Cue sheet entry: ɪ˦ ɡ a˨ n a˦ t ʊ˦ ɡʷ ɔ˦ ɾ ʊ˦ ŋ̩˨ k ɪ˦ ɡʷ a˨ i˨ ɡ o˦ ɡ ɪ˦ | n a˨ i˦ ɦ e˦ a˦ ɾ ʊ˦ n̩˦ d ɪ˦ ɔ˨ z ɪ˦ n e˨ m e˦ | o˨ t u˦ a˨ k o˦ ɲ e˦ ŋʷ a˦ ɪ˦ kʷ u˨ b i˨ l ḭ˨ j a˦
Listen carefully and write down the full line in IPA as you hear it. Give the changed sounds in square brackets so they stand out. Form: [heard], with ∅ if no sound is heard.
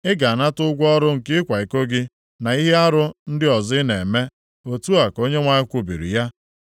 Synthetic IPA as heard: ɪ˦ ɡ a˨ n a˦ t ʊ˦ ɡʷ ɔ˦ ɾ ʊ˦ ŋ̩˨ k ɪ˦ [kʷ] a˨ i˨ [k] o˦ ɡ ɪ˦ | n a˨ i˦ ɦ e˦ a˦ ɾ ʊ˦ n̩˦ d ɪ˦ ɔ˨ z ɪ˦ n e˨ m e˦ | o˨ t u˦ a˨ k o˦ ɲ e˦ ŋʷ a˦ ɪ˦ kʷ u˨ b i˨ [ɾ] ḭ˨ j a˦